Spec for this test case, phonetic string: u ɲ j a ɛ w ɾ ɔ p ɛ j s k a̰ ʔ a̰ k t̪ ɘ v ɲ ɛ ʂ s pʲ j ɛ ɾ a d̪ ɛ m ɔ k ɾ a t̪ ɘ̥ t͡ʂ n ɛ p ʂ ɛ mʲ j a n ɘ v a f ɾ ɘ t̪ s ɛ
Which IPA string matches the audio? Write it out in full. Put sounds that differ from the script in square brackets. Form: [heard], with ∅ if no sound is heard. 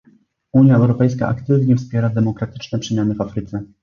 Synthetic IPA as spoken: u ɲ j a ɛ w ɾ ɔ p ɛ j s k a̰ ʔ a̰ k t̪ ɘ v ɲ ɛ [f] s pʲ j ɛ ɾ a d̪ ɛ m ɔ k ɾ a t̪ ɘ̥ t͡ʂ n ɛ p ʂ ɛ mʲ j a n ɘ v a f ɾ ɘ t̪ s ɛ